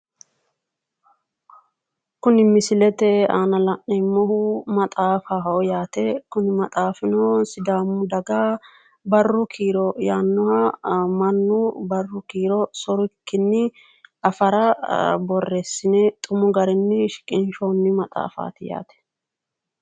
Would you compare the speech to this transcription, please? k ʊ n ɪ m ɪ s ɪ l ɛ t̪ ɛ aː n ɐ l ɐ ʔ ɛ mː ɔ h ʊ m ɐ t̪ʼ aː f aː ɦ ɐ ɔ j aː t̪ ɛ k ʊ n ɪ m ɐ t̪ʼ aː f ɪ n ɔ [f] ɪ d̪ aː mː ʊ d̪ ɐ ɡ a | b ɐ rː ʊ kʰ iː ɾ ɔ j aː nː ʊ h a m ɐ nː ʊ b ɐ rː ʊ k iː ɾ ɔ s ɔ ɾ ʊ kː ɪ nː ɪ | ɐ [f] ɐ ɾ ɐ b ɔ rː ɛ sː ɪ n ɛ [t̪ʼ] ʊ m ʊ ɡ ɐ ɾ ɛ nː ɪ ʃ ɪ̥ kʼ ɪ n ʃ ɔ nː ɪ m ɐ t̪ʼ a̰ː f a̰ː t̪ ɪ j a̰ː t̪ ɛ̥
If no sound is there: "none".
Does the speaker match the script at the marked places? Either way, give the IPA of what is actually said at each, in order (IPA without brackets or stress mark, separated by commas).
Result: s, f, t̪ʼ